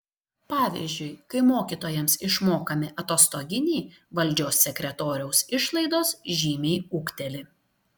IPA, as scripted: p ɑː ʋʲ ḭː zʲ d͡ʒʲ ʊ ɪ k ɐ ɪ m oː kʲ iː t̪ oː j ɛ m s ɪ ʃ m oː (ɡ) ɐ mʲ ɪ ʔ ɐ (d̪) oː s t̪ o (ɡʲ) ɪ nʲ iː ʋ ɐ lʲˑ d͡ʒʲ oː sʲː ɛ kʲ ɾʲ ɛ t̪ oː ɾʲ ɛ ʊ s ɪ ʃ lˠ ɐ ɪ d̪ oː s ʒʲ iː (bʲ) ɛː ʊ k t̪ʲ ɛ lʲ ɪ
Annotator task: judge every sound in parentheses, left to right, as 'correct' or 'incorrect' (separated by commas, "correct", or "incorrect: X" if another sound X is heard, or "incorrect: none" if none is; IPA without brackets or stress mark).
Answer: incorrect: k, incorrect: t̪, correct, incorrect: mʲ